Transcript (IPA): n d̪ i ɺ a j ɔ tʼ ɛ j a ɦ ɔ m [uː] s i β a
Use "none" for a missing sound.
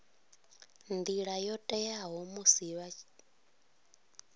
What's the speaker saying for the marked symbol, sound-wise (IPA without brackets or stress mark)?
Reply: u